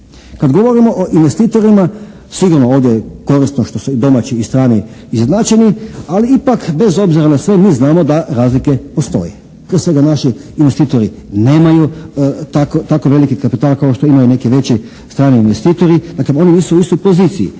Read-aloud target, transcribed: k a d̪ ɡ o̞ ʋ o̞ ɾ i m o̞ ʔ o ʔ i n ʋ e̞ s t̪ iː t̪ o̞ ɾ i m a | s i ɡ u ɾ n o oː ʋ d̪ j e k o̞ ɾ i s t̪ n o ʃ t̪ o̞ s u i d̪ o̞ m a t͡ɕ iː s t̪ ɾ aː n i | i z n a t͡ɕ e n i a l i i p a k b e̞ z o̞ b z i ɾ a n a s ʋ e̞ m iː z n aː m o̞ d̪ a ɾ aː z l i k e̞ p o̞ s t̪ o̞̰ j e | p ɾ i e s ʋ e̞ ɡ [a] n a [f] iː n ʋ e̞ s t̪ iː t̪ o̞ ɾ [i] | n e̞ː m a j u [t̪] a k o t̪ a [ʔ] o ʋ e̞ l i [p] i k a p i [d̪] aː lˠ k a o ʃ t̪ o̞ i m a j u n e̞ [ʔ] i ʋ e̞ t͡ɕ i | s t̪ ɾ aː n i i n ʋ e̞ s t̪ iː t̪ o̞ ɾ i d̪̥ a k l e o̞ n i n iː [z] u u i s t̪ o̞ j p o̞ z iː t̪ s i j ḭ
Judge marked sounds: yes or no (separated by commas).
yes, no, yes, yes, no, no, no, no, no